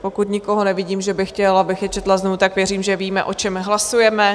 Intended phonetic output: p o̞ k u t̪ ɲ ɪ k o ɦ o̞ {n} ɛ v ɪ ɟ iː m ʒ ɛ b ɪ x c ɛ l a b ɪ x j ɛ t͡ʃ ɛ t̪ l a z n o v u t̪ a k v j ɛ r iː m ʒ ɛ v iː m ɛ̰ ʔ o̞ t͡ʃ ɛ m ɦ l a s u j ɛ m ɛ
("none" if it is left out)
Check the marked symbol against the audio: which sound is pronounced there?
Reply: n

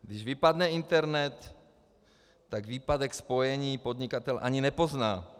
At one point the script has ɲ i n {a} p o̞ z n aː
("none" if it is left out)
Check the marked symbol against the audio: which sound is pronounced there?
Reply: ɛ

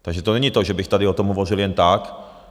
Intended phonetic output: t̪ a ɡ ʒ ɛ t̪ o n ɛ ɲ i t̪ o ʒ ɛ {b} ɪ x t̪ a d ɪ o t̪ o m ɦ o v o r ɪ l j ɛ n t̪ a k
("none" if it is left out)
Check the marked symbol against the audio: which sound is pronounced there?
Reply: b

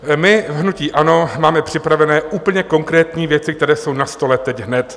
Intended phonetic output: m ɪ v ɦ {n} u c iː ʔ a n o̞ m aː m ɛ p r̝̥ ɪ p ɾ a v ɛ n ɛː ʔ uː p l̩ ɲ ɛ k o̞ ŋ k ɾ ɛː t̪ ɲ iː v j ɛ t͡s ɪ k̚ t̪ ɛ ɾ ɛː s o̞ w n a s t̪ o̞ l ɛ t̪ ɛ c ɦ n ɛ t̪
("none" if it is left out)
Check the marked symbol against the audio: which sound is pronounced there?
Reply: n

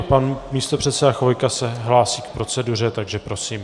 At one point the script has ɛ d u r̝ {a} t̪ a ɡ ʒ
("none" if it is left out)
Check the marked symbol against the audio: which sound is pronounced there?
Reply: ɛ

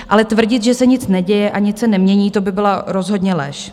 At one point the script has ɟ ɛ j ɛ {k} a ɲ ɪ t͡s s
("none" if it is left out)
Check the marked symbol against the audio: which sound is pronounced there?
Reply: ʔ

